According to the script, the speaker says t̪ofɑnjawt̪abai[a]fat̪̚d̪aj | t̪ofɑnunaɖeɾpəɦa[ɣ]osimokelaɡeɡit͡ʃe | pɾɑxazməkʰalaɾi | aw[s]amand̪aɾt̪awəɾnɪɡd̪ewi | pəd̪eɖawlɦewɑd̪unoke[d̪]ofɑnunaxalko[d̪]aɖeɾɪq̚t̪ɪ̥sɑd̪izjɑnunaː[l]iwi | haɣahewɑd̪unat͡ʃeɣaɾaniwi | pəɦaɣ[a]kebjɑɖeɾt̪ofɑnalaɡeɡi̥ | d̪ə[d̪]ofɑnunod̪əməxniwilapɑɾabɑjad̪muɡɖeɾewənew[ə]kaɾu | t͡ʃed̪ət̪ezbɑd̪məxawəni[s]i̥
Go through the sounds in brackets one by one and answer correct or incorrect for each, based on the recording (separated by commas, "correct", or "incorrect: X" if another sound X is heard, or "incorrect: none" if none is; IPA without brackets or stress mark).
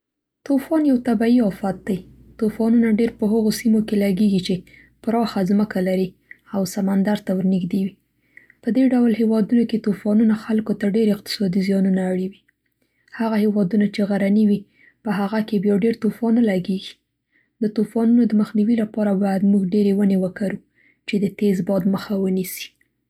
incorrect: ɑ, correct, correct, incorrect: t̪, incorrect: t̪, incorrect: ɽ, correct, incorrect: t̪, correct, correct